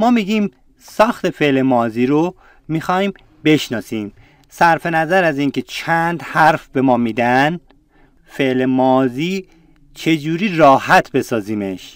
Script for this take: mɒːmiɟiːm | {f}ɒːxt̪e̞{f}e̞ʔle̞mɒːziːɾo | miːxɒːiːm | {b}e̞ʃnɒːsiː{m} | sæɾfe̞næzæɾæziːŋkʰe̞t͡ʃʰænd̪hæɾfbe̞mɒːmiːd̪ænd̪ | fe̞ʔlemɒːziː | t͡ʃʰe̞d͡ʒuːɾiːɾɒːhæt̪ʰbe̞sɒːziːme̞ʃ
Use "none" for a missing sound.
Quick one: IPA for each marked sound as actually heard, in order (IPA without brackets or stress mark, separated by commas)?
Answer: s, f, b, m